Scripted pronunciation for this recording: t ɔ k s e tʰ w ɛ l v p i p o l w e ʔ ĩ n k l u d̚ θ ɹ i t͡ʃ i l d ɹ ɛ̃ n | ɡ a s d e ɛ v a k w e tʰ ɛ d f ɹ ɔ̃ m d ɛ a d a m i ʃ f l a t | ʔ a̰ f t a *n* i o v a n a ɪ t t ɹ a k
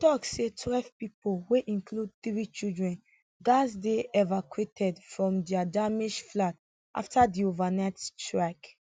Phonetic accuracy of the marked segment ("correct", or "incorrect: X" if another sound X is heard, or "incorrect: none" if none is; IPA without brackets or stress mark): incorrect: d